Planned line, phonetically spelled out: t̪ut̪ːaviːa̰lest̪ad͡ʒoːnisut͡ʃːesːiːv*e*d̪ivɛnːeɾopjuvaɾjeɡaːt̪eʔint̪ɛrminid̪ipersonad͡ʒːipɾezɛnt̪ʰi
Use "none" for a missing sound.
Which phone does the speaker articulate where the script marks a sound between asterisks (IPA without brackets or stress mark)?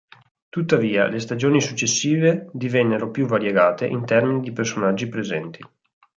e